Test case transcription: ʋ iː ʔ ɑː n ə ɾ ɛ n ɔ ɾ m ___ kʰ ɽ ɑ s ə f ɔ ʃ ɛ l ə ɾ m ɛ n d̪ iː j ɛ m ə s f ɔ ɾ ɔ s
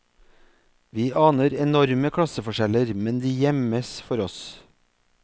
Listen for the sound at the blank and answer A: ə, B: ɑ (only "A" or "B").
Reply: A